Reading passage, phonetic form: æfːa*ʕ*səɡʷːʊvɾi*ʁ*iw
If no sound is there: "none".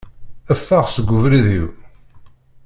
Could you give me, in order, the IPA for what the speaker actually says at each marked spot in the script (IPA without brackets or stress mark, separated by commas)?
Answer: ʁ, ð